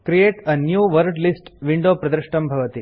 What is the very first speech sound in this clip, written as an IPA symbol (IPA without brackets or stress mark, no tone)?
k